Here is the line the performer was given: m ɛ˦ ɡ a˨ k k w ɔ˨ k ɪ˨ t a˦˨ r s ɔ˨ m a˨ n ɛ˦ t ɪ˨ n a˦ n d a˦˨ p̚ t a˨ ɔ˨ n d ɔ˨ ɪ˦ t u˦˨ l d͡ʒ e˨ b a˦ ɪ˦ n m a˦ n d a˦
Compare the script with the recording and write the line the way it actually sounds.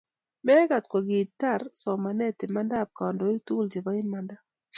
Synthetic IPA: m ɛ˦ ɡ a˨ t k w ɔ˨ ɡ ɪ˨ t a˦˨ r s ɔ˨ m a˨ n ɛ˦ t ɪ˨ m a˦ n d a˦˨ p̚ k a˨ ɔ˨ n d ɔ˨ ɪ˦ t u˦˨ l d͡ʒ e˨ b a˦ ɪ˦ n m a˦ n d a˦